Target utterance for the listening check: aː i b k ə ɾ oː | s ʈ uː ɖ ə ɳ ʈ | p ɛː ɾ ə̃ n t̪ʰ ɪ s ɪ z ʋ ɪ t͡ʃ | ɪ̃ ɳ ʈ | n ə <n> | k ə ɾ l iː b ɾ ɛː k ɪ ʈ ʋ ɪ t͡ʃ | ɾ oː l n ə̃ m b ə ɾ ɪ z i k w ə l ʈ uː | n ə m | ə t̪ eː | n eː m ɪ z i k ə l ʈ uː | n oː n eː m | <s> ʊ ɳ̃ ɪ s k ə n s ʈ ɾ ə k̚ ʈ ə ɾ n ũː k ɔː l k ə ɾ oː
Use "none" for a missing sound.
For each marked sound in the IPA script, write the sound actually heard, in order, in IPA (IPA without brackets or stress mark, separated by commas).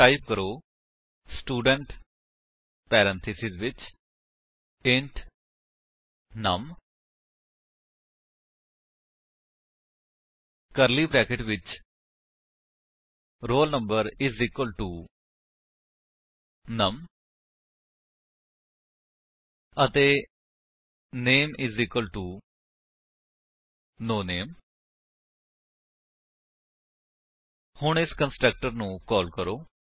m, h